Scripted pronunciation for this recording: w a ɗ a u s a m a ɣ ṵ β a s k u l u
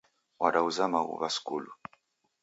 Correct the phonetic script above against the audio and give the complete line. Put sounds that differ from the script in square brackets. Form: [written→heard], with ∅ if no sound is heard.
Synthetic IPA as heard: w a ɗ a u [s→z] a m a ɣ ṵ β a s k u l u